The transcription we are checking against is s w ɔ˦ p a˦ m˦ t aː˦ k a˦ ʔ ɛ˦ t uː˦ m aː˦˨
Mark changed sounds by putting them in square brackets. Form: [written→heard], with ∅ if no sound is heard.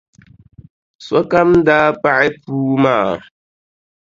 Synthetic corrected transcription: s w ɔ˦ [p→k] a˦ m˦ [t→d] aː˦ [k→p] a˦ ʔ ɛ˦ [t→p] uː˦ m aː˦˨